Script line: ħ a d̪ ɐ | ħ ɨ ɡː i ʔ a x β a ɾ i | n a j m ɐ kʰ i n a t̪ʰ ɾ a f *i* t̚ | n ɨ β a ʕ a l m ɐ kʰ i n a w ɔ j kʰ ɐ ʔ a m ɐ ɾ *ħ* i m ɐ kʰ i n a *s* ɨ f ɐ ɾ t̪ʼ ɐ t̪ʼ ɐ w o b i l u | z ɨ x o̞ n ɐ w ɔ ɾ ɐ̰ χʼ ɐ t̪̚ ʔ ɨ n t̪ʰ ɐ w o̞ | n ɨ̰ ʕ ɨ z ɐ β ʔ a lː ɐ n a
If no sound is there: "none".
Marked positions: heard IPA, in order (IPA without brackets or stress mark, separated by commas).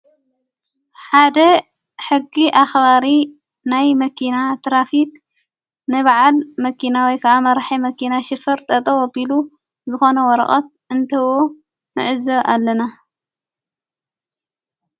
i, ħ, ʃ